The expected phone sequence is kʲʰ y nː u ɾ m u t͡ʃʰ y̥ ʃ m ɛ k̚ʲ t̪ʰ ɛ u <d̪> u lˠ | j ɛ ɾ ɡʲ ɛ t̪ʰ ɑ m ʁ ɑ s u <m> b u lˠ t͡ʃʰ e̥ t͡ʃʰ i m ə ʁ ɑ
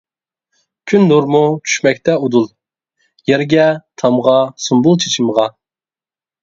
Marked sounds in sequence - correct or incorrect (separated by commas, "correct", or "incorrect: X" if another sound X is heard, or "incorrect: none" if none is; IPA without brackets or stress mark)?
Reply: correct, correct